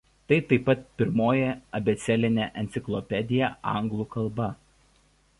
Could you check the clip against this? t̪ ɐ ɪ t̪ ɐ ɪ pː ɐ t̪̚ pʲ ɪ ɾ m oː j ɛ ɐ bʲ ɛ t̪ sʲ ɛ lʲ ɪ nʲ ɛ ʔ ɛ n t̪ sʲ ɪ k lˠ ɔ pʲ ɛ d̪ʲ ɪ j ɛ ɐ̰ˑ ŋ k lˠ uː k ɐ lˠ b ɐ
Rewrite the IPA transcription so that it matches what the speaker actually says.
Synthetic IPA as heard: t̪ ɐ ɪ t̪ ɐ ɪ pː ɐ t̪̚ pʲ ɪ ɾ m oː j ɛ ɐ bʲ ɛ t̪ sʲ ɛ lʲ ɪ nʲ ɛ ʔ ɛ n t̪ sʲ ɪ k lˠ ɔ pʲ ɛ d̪ʲ ɪ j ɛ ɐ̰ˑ ŋ ɡ lˠ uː k ɐ lˠ b ɐ